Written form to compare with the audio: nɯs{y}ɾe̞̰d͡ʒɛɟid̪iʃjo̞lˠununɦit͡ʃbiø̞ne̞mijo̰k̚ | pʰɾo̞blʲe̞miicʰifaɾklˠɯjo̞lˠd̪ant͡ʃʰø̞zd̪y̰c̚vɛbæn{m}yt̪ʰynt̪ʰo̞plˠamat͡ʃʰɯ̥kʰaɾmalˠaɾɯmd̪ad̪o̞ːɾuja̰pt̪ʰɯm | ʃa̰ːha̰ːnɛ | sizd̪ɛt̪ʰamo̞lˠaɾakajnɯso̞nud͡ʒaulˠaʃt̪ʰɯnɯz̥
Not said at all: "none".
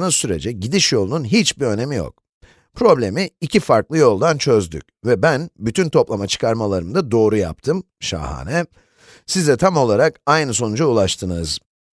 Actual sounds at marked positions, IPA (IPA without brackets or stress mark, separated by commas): y, b